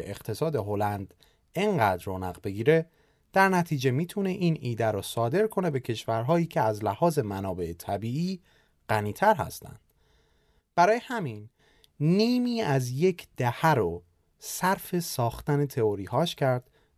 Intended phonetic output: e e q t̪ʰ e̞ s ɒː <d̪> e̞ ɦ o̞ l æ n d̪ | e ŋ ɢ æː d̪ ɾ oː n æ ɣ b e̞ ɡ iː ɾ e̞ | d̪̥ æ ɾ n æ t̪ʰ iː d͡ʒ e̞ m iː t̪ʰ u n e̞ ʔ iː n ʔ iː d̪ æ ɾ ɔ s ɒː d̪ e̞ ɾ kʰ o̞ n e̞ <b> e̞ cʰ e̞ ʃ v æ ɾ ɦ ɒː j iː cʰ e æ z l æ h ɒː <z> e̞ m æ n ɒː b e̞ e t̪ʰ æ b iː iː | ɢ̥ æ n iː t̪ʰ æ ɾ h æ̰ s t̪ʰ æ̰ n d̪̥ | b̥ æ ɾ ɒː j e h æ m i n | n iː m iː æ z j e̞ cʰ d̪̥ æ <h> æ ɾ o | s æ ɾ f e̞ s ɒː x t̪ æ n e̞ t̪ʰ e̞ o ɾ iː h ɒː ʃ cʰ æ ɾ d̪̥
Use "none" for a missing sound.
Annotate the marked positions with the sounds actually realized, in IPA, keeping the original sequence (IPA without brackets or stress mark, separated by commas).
d̪, b, z, h